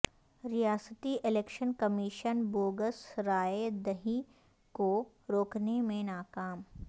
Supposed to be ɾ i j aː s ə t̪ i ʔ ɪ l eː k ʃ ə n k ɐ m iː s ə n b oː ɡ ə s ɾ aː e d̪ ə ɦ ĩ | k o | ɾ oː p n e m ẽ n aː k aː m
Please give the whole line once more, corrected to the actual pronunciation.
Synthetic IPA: ɾ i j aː s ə t̪ i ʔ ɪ l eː k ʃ ə n k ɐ m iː ʃ ə n b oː ɡ ə s ɾ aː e d̪ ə ɦ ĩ | k o | ɾ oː k n e m ẽ n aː k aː m